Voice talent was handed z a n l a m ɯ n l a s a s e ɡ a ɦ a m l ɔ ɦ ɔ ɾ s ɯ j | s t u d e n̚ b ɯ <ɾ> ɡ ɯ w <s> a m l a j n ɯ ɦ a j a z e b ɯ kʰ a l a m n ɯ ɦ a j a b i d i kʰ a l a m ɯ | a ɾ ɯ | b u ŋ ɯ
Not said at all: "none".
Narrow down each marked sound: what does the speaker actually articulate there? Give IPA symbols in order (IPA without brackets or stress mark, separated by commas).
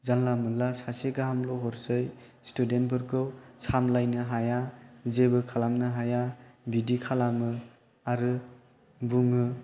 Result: ɾ, s